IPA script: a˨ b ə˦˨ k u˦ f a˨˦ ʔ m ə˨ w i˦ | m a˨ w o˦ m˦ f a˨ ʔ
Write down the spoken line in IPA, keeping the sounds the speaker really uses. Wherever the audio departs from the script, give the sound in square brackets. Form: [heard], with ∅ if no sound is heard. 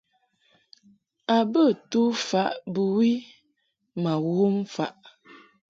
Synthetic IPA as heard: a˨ b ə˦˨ [t] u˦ f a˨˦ ʔ [b] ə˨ w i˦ | m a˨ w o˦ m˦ f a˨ ʔ